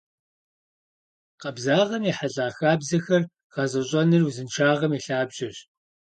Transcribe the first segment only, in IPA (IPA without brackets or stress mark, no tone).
q